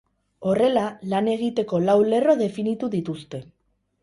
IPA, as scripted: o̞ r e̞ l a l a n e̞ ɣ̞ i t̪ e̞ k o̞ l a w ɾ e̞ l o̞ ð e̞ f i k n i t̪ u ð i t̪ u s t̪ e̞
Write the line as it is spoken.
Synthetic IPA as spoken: o̞ r e̞ l a l a n e̞ ɣ̞ i t̪ e̞ k o̞ l a w l e̞ r o̞ ð e̞ f i n i t̪ u ð i t̪ u s t̪ e̞